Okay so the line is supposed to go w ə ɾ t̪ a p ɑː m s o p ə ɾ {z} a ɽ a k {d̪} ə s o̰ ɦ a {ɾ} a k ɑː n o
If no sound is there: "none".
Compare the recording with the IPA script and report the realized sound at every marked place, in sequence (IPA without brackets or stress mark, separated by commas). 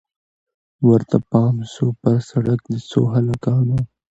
s, d̪, l